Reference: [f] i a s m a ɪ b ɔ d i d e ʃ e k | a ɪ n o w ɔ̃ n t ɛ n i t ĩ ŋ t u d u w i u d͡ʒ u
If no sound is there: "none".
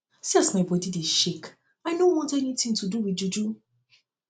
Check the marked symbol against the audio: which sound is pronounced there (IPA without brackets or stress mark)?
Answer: s